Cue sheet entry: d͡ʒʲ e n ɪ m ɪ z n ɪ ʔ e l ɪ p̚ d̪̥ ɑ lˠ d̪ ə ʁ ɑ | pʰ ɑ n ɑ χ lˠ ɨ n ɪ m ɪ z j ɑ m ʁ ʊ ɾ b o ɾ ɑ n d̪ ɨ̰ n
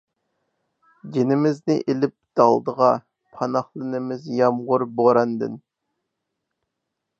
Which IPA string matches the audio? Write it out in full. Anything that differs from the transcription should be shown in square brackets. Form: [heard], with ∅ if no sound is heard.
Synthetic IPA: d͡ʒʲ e n ɪ m ɪ z n ɪ ʔ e l ɪ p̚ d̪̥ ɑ lˠ d̪ ə ʁ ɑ | pʰ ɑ n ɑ χ lˠ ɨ n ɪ m ɪ z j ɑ m ʁ ʊ ɾ b o ɾ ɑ n d̪ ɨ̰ n